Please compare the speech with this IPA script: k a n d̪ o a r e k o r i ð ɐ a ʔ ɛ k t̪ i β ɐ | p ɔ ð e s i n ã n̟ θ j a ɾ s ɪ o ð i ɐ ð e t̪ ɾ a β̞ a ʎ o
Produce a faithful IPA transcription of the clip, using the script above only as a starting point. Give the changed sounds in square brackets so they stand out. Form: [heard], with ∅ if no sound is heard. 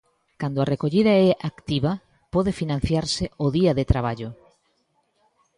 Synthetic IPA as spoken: k a n d̪ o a r e k o [ʎ] i ð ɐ [ɛ] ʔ [a] k t̪ i β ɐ | p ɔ ð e [f] i n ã n̟ θ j a ɾ s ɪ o ð i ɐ ð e t̪ ɾ a β̞ a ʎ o